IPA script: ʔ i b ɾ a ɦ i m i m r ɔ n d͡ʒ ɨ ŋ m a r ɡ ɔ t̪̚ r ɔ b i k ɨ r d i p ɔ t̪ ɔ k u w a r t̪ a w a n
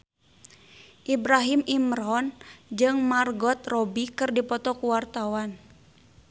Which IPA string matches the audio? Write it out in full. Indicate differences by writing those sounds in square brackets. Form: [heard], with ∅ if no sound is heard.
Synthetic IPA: ʔ i b ɾ a ɦ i m i m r ɔ n d͡ʒ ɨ ŋ m a r ɡ ɔ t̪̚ r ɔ b i k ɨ r d i p ɔ t̪ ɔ k u w a r t̪ a w a n